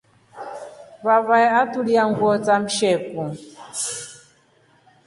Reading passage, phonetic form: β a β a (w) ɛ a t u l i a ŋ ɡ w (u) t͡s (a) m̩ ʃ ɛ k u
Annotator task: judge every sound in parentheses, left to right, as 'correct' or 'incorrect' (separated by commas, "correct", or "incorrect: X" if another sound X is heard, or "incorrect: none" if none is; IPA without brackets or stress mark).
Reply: incorrect: none, incorrect: ɔ, correct